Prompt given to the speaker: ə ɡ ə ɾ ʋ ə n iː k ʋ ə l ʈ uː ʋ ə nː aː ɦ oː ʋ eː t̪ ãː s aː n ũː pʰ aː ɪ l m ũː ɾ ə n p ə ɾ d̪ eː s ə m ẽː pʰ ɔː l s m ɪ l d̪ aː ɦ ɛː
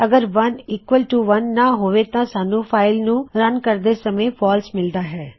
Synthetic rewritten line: ə ɡ ə ɾ ʋ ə n iː k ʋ ə l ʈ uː ʋ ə nː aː ɦ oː ʋ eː t̪ ãː s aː n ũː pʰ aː ɪ l n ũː ɾ ə n k ə ɾ d̪ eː s ə m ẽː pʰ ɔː l s m ɪ l d̪ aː ɦ ɛː